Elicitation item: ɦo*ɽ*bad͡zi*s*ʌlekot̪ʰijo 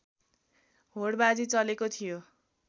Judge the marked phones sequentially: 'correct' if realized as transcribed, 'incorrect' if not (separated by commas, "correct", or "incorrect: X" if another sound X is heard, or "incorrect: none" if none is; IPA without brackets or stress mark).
correct, incorrect: t͡s